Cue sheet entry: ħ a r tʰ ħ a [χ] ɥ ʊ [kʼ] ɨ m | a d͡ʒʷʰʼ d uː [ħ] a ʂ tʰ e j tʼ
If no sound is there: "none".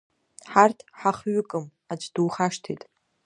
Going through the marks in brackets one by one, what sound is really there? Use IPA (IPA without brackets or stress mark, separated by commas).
χ, kʼ, χ